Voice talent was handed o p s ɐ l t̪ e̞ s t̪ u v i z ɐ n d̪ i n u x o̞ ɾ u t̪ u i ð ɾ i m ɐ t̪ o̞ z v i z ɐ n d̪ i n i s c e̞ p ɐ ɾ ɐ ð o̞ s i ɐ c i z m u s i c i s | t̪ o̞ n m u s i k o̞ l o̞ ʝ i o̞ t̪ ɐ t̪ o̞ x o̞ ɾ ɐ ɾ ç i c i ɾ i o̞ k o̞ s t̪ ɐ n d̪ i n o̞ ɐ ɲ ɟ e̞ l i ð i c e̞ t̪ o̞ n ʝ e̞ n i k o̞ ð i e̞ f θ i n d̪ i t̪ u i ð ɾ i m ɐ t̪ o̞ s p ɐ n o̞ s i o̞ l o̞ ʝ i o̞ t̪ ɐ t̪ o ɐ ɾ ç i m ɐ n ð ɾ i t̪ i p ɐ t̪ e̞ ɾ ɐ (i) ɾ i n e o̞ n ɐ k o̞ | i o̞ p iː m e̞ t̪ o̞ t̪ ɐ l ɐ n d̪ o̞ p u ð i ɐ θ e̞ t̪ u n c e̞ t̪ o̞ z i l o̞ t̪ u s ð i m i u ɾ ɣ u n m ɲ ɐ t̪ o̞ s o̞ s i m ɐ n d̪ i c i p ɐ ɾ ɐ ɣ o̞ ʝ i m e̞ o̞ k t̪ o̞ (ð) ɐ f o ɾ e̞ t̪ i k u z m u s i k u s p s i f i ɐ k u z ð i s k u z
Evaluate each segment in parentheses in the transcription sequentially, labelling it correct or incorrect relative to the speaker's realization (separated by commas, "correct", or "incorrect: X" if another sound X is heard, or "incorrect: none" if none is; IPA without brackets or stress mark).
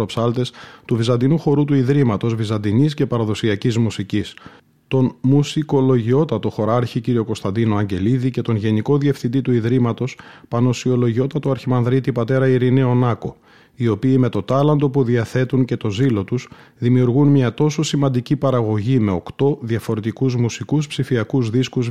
correct, correct